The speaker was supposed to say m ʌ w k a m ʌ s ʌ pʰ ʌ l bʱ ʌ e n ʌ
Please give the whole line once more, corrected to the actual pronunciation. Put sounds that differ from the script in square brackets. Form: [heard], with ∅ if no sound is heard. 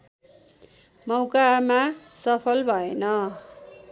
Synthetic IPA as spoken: m ʌ w k a m [a] s ʌ pʰ ʌ l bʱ ʌ e n ʌ